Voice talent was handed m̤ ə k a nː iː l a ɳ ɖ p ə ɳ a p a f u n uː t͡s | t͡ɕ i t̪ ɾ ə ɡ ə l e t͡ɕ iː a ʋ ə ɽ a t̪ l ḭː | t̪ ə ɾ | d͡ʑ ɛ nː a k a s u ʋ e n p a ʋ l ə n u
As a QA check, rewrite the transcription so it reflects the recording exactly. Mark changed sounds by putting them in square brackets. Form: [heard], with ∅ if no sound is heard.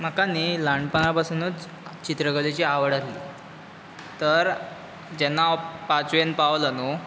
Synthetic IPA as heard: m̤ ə k a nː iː l a ɳ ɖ p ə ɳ a p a [s] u n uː t͡s | t͡ɕ i t̪ ɾ ə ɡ ə l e t͡ɕ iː a ʋ ə ɽ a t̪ l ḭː | t̪ ə ɾ | d͡ʑ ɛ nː a [p] a [t͡s] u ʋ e n p a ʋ l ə n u